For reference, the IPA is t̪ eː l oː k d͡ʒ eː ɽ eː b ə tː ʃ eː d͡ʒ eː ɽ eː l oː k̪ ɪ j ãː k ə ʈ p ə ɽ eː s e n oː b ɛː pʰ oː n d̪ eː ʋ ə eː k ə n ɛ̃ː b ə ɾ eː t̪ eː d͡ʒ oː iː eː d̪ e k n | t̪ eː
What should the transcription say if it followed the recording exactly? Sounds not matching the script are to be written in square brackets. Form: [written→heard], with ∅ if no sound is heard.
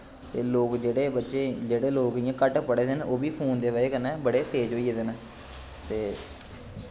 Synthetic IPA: t̪ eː l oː k d͡ʒ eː ɽ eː b ə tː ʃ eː d͡ʒ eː ɽ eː l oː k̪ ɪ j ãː k ə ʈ p ə ɽ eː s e n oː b [ɛː→iː] pʰ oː n d̪ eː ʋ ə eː k ə n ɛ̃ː b ə [ɾ→ɽ] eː t̪ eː d͡ʒ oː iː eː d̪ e [k→∅] n | t̪ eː